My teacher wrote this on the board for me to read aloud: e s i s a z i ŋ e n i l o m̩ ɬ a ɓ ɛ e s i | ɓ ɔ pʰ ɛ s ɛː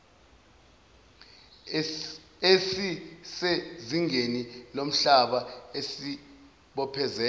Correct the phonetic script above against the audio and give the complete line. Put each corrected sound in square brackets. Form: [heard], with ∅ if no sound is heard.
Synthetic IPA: e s i s [e] z i ŋ e n i l o m̩ ɬ a ɓ [a] e s i | ɓ ɔ pʰ ɛ [z] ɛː